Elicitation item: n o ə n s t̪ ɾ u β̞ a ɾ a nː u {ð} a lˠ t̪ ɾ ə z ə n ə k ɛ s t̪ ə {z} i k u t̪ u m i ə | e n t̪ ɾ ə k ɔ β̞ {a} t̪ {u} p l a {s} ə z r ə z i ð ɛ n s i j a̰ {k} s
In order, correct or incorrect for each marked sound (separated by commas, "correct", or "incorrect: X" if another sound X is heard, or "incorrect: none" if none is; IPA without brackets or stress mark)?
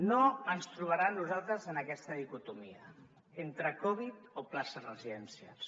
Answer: incorrect: z, incorrect: ð, incorrect: i, incorrect: o, correct, incorrect: none